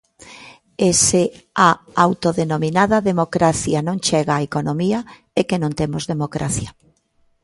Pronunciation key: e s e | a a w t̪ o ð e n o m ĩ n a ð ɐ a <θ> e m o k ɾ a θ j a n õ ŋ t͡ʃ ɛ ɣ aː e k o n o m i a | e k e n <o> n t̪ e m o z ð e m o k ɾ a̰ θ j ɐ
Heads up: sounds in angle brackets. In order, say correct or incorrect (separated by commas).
incorrect, incorrect